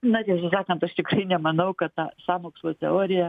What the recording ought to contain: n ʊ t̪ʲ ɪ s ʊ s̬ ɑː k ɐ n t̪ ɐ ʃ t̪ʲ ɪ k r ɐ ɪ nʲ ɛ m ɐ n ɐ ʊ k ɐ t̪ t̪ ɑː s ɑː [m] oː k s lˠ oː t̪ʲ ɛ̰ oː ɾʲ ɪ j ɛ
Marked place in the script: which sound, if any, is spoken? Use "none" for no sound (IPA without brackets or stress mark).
m